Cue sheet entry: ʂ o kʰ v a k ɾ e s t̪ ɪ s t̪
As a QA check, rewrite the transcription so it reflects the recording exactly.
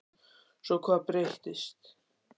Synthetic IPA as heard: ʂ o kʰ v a p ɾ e h t̪ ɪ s t̪